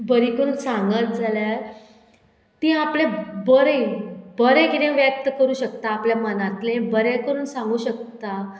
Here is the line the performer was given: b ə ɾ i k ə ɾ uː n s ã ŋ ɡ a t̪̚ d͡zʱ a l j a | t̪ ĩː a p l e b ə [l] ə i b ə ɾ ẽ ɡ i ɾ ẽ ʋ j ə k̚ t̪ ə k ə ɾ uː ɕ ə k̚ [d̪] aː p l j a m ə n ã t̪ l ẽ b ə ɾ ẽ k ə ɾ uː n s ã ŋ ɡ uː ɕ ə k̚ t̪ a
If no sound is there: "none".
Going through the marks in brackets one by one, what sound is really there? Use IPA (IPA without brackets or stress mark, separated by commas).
ɾ, t̪